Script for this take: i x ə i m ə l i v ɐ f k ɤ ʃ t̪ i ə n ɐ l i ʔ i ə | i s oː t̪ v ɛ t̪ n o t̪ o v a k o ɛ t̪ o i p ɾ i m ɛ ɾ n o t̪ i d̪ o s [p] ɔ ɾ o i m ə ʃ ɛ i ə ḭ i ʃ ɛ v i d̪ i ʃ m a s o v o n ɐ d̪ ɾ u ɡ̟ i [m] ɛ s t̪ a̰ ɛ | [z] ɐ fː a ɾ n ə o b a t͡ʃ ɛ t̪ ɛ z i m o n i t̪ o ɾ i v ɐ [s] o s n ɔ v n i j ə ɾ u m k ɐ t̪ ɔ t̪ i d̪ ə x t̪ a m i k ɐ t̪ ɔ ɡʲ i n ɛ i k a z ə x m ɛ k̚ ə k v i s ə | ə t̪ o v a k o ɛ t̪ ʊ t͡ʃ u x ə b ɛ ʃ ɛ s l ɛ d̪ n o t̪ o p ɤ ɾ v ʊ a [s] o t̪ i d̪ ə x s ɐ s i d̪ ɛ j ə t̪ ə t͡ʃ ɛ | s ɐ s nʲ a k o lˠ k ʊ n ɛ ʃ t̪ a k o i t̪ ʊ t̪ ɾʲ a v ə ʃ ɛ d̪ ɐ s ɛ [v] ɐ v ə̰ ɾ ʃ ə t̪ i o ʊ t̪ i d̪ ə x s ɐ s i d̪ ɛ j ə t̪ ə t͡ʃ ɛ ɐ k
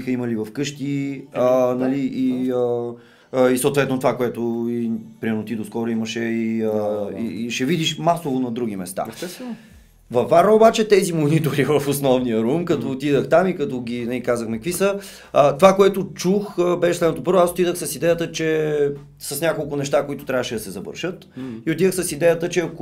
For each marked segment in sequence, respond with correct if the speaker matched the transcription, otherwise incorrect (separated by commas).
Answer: incorrect, correct, incorrect, incorrect, correct, incorrect